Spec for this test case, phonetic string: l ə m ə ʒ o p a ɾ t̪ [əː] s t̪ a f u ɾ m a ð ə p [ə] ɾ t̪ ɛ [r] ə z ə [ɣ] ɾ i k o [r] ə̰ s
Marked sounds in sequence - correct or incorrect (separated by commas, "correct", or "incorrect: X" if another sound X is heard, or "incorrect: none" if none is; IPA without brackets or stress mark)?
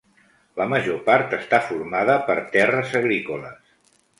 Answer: incorrect: ə, correct, correct, correct, incorrect: l